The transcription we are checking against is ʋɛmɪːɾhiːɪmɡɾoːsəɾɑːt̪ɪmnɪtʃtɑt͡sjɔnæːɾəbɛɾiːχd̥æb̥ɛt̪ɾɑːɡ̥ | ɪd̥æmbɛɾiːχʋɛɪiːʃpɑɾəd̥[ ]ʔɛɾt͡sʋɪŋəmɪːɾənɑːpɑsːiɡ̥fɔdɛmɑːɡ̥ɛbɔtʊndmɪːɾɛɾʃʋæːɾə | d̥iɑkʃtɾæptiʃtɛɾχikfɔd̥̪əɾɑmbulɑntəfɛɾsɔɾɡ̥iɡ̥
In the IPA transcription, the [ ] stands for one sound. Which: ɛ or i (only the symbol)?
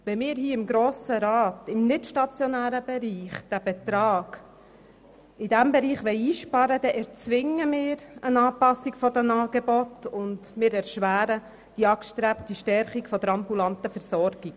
ɛ